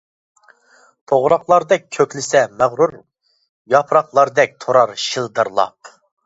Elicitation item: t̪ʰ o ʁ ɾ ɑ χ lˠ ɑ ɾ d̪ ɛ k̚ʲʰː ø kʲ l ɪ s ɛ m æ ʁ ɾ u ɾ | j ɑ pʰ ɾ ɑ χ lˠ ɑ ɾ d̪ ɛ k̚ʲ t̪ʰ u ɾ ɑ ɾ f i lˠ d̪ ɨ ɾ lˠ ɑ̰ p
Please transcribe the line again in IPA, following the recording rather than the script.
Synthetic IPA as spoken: t̪ʰ o ʁ ɾ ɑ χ lˠ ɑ ɾ d̪ ɛ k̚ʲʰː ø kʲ l ɪ s ɛ m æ ʁ ɾ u ɾ | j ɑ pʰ ɾ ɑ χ lˠ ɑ ɾ d̪ ɛ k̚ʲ t̪ʰ o ɾ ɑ ɾ ʃ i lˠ d̪ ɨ ɾ lˠ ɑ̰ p